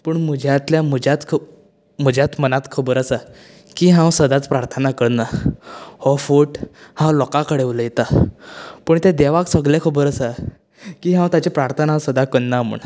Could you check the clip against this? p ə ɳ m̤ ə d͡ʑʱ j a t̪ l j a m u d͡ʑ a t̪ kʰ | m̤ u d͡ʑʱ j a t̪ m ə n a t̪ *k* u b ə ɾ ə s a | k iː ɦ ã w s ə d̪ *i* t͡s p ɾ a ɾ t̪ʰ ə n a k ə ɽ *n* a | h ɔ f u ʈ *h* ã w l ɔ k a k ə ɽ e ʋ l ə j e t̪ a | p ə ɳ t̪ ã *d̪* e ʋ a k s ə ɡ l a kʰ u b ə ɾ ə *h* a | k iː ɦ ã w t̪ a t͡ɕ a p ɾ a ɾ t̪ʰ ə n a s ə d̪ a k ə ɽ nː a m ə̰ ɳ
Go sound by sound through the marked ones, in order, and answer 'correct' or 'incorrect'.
incorrect: kʰ, incorrect: a, correct, correct, correct, incorrect: s

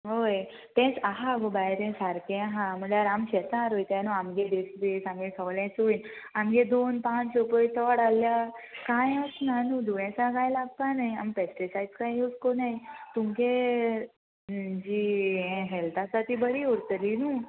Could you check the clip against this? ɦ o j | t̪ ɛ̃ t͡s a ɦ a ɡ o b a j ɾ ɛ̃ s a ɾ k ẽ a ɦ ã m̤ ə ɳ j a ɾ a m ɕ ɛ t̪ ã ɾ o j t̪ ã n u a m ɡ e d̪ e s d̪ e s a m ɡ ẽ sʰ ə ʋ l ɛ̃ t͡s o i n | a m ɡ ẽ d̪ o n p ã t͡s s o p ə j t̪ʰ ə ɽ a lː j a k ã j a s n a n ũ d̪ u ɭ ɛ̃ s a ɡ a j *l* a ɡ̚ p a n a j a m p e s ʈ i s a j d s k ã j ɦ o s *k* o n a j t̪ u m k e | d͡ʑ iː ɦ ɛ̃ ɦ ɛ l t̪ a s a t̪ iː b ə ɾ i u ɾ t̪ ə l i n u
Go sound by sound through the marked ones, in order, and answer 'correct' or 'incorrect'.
correct, correct

